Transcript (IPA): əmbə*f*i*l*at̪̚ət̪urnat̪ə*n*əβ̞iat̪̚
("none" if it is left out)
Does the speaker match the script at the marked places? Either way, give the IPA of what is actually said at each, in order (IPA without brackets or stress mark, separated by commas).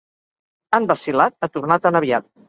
s, l, n